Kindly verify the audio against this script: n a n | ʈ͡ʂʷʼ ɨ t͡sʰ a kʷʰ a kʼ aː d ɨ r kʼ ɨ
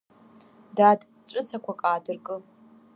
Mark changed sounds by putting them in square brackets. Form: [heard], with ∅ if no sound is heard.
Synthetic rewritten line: [d] a [d] | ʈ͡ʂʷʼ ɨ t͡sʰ a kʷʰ a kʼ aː d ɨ r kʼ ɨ